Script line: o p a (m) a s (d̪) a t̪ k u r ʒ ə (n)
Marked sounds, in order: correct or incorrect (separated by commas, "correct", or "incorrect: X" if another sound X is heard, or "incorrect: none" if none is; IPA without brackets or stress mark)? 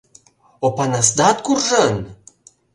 incorrect: n, correct, correct